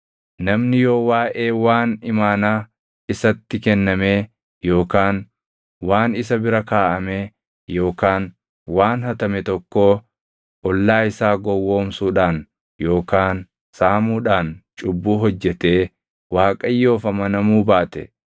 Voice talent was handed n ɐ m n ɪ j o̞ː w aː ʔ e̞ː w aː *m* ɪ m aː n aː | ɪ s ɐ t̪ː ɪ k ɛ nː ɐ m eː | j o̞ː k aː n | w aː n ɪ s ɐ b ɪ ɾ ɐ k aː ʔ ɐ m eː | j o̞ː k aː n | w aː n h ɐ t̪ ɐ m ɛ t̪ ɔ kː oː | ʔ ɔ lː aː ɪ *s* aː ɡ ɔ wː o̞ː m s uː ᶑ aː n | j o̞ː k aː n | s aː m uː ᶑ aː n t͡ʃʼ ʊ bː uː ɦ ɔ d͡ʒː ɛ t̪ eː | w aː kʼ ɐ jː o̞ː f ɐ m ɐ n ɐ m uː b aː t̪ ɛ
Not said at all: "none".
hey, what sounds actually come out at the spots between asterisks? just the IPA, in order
n, s

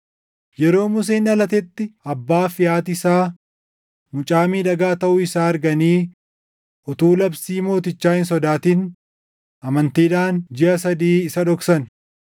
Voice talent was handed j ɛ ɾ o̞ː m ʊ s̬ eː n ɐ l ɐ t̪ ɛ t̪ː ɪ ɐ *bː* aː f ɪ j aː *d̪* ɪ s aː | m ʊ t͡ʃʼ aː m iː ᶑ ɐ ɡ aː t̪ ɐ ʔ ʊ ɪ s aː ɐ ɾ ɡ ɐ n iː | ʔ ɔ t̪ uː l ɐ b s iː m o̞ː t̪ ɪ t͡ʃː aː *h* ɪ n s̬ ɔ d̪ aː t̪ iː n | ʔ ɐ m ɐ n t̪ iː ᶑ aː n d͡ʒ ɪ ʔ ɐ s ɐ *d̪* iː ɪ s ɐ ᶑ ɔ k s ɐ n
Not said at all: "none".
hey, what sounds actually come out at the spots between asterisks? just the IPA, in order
bː, t̪, h, d̪

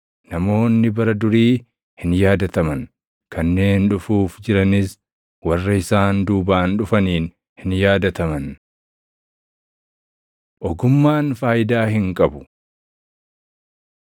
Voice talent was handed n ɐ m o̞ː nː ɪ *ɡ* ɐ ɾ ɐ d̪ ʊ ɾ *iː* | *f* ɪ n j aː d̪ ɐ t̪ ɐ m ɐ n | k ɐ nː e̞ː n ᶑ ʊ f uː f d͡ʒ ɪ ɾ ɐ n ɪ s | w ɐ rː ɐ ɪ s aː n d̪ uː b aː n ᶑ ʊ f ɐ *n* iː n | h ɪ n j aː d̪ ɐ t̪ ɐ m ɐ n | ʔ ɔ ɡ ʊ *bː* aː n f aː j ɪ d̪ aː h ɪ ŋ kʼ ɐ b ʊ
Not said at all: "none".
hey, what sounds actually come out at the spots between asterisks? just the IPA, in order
b, iː, h, n, mː

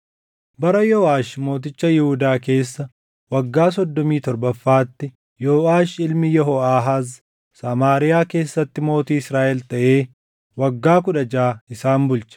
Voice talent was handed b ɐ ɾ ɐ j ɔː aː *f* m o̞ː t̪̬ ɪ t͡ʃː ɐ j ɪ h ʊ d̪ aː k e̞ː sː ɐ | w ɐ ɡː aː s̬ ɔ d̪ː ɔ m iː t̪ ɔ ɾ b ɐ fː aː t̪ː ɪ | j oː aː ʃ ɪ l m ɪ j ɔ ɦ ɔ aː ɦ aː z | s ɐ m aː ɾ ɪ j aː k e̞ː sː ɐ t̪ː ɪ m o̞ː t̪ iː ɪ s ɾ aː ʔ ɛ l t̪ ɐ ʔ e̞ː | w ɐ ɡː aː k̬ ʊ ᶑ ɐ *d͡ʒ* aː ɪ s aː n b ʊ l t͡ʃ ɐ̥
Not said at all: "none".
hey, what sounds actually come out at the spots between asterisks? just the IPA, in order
ʃ, d͡ʒ

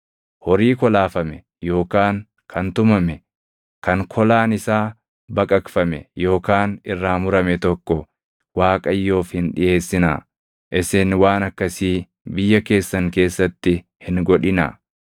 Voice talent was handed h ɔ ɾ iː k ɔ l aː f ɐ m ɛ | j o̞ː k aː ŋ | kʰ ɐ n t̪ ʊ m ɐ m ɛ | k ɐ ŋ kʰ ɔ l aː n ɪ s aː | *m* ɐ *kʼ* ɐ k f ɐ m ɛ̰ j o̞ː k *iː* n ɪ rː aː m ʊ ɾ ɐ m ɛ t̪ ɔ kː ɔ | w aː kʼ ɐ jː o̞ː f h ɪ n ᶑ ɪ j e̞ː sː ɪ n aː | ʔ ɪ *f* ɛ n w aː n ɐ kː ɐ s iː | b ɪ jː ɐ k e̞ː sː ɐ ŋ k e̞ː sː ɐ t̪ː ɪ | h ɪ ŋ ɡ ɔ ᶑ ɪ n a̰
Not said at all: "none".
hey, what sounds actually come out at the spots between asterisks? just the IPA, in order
b, kʼ, aː, s

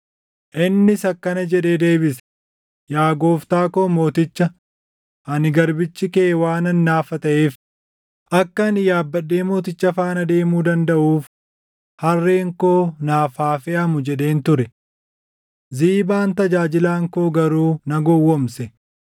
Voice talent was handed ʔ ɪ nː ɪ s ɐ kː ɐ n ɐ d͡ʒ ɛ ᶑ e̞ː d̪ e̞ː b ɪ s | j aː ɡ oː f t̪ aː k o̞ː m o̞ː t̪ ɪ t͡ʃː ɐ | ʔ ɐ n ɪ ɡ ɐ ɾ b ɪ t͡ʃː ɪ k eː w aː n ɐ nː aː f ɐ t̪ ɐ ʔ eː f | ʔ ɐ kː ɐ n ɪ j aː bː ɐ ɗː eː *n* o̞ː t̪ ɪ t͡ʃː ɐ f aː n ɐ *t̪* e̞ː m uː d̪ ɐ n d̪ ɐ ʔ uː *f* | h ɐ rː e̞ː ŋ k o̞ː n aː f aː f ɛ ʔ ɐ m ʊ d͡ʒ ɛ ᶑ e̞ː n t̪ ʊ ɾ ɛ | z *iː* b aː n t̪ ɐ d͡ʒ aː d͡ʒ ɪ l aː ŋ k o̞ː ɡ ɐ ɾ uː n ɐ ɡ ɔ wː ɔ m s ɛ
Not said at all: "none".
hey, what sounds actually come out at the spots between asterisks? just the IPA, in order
m, d̪, f, iː

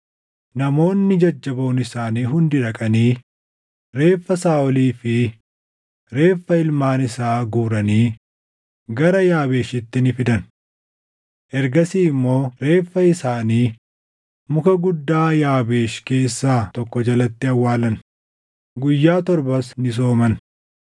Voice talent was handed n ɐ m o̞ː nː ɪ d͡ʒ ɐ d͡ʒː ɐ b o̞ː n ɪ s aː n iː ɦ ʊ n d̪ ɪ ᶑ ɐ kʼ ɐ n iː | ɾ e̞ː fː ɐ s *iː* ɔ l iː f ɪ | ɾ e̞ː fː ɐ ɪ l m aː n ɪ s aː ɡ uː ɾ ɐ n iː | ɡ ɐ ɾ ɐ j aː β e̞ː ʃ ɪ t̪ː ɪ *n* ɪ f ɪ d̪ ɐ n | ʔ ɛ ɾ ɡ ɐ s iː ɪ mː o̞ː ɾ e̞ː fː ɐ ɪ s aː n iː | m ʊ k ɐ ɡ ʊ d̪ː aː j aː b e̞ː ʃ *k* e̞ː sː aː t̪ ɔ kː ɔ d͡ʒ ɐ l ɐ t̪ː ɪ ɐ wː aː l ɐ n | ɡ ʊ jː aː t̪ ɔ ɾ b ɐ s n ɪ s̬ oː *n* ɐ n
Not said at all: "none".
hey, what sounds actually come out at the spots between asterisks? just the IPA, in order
aː, n, k, m

